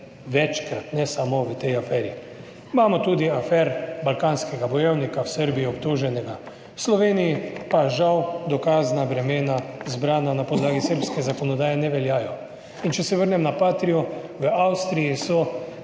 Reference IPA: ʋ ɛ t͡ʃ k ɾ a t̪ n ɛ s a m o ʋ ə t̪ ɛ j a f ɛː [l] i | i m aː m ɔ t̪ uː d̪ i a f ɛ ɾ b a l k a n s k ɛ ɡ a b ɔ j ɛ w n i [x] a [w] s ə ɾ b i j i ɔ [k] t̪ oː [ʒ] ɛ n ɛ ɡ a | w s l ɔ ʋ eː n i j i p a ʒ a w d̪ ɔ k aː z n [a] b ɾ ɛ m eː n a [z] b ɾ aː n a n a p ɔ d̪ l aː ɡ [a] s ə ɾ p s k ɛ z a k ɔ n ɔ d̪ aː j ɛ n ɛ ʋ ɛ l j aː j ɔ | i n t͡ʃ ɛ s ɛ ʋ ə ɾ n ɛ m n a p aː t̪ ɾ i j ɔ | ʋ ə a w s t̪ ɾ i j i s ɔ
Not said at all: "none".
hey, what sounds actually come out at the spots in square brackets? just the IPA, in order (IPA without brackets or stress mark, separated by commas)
ɾ, k, w, p, ʒ, a, z, i